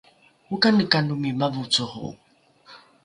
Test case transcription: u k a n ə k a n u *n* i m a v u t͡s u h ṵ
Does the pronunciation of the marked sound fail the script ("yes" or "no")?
yes